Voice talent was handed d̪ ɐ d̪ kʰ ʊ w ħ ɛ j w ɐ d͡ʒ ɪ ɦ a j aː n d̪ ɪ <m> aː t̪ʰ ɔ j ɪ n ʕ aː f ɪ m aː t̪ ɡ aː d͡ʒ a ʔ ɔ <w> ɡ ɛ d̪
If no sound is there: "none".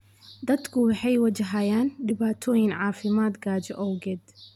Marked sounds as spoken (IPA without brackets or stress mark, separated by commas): b, w